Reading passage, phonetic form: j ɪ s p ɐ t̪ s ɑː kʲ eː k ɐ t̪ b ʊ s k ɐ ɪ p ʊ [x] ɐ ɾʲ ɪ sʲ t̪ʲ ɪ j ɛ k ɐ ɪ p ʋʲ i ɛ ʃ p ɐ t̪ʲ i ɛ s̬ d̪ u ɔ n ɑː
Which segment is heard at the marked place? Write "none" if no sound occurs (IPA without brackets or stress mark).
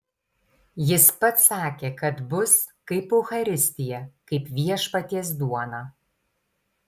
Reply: x